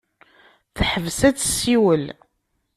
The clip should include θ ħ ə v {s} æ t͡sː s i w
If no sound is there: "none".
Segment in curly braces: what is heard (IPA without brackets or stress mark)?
s